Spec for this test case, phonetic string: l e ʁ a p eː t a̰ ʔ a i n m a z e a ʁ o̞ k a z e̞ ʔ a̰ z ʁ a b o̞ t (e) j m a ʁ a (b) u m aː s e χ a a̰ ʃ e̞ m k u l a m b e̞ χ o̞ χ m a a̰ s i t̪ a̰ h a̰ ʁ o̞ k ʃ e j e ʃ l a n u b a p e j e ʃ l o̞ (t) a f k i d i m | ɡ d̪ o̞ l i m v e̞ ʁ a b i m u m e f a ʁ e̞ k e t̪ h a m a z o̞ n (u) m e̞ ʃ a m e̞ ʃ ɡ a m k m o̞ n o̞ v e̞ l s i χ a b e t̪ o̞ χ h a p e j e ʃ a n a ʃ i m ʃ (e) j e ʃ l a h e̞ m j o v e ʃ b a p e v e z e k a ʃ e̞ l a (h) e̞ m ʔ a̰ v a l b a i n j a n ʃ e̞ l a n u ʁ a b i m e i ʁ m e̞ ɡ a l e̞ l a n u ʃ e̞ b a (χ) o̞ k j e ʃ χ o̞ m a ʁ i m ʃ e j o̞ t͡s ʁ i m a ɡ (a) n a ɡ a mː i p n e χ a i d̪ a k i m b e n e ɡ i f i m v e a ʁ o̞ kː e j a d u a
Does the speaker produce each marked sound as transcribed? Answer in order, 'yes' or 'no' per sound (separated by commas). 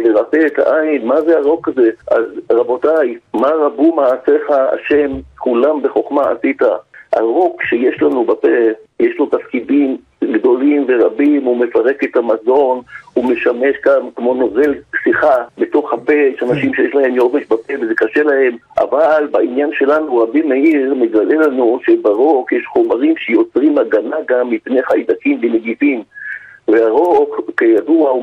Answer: no, yes, yes, yes, yes, yes, no, yes